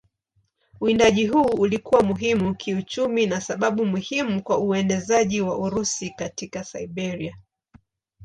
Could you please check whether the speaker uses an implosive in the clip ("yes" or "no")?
yes